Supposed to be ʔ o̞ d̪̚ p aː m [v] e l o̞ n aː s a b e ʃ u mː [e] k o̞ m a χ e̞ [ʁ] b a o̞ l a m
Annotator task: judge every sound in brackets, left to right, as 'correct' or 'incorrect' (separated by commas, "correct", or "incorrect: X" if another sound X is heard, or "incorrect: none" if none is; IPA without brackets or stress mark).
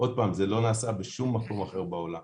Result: incorrect: z, incorrect: a, correct